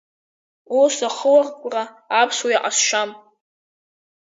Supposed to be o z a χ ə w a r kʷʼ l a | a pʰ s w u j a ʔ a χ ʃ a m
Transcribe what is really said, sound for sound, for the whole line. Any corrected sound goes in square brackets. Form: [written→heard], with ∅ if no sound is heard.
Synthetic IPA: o [z→s] a χ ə w a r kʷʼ [l→r] a | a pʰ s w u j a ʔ a [χ→s] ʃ a m